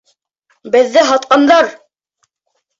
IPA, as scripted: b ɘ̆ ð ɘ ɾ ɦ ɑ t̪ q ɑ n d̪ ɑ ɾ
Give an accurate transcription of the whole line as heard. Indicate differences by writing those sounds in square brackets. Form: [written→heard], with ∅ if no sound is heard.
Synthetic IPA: b ɘ̆ [ð→ðː] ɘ [ɾ→∅] ɦ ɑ t̪ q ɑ n d̪ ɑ ɾ